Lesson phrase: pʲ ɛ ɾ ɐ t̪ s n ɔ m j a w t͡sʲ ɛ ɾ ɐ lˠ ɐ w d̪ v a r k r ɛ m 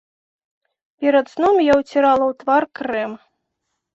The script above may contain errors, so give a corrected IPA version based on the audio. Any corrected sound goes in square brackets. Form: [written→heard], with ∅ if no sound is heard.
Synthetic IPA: pʲ ɛ ɾ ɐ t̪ s n ɔ m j a w t͡sʲ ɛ ɾ [ɐ→a] lˠ ɐ w [d̪→t̪] v a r k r ɛ m